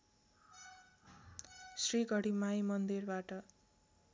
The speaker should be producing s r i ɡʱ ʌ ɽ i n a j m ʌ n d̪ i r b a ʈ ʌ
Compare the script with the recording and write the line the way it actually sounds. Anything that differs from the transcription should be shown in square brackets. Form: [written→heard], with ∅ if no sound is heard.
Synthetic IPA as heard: s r i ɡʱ ʌ ɽ i [n→m] a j m ʌ n d̪ i r b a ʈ ʌ